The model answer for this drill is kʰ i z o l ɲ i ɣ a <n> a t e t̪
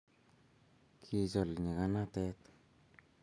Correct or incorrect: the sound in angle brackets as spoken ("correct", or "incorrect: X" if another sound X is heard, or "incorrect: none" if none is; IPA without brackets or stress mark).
correct